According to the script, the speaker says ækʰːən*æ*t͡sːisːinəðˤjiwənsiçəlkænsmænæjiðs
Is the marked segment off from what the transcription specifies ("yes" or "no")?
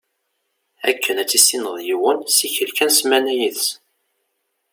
no